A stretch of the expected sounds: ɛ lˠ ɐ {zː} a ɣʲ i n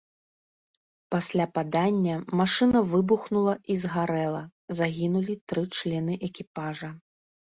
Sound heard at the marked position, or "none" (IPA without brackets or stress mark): z